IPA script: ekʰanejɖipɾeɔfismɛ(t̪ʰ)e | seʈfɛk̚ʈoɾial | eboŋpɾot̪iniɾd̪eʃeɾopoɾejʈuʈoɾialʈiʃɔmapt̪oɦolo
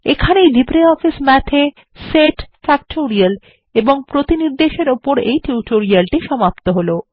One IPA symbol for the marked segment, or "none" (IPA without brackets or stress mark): t̪ʰ